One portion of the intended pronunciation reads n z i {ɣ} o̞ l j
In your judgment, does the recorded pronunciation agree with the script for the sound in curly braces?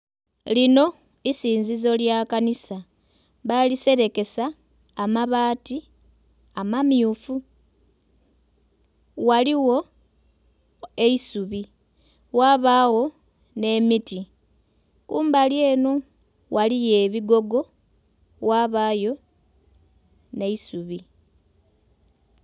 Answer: no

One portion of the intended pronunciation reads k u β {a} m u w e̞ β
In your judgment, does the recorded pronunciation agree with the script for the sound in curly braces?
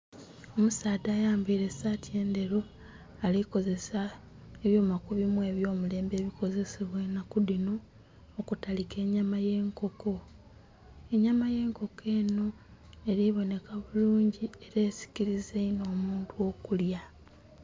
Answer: no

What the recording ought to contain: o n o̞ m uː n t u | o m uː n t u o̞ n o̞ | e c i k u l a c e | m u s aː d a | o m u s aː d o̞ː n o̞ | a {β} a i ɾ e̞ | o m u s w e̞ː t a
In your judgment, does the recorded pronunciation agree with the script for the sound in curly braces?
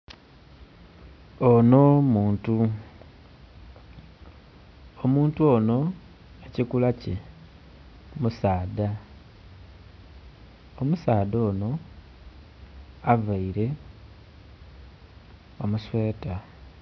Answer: no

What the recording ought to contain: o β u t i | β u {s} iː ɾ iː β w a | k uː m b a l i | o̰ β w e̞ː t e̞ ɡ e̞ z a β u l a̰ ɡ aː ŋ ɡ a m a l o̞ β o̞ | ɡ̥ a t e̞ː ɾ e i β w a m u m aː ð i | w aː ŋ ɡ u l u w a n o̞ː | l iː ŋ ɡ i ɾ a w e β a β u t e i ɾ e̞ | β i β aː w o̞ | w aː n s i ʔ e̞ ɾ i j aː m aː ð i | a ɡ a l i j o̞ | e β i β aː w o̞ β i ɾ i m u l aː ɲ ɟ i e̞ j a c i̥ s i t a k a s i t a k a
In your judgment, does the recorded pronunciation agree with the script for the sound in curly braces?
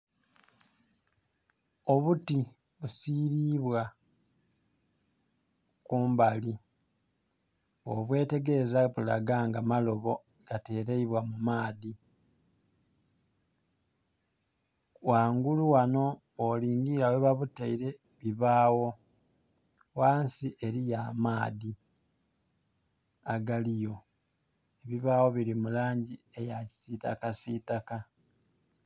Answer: yes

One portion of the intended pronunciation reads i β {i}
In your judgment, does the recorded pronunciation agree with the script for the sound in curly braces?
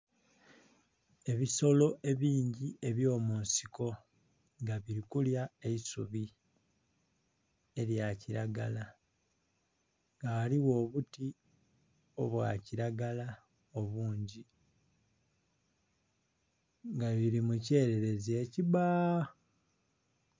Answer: no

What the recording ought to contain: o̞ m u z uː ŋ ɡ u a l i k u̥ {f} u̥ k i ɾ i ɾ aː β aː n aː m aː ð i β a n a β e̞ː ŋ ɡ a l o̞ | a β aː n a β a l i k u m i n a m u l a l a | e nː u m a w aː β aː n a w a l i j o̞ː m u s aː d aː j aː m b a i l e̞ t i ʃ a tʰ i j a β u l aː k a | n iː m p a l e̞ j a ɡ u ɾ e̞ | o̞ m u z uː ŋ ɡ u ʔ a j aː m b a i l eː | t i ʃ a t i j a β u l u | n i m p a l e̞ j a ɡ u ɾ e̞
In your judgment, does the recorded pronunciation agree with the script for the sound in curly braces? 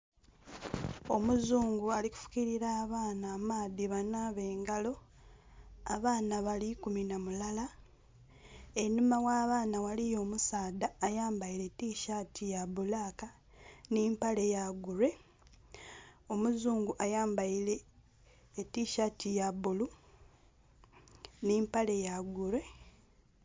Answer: yes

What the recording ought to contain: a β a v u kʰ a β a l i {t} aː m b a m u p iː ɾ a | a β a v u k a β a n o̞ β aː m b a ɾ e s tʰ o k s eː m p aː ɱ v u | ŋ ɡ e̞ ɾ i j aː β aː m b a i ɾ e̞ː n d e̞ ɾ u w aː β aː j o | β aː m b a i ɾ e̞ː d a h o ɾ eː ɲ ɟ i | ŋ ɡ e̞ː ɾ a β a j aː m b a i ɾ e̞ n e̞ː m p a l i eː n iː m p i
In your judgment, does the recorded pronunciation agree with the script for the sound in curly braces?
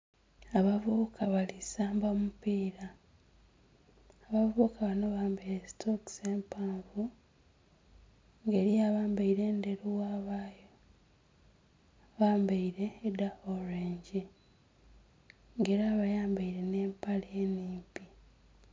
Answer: no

